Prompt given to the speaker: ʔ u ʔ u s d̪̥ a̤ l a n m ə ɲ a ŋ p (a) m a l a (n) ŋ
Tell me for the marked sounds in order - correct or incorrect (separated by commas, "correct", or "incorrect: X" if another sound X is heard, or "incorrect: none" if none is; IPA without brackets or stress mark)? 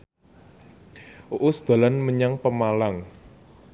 incorrect: ə, incorrect: none